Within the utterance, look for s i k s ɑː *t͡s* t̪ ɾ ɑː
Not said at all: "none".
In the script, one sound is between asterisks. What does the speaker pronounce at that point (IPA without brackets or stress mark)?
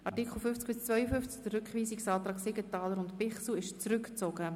none